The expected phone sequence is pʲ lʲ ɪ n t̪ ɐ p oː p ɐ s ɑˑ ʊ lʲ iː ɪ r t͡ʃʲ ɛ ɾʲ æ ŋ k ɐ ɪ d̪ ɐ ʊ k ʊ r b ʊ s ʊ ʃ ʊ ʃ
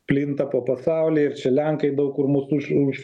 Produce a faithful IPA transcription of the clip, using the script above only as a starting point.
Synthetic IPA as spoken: pʲ lʲ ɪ n t̪ ɐ p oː p ɐ s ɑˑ ʊ lʲ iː ɪ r t͡ʃʲ ɛ lʲ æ ŋ k ɐ ɪ d̪ ɐ ʊ k ʊ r m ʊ s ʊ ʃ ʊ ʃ